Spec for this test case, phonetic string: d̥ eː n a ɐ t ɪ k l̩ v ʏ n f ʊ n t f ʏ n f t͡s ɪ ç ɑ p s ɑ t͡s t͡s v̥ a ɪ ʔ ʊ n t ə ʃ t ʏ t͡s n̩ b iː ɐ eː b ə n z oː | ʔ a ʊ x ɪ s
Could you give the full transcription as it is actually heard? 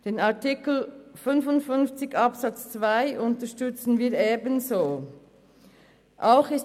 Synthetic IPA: d̥ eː n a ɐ t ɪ k l̩ f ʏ n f ʊ n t f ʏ n f t͡s ɪ ç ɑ p s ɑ t͡s t͡s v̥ a ɪ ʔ ʊ n t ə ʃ t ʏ t͡s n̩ v iː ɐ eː b ə n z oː | ʔ a ʊ x ɪ s